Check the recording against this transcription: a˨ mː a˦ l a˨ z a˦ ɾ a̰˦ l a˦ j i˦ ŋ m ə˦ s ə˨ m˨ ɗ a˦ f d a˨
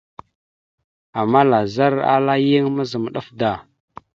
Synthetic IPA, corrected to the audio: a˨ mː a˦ l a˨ z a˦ ɾ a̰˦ l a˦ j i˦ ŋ m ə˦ z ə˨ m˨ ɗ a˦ f d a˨